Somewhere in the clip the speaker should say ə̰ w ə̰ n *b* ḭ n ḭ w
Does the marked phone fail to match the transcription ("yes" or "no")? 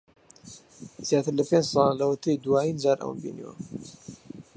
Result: no